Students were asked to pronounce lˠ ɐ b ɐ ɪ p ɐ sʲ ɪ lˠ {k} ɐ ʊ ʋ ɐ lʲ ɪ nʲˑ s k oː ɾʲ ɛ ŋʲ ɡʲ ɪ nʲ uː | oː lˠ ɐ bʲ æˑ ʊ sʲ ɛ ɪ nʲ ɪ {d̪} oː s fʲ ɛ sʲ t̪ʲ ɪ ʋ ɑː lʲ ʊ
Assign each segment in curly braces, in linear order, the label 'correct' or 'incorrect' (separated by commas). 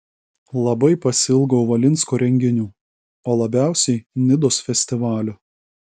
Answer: incorrect, correct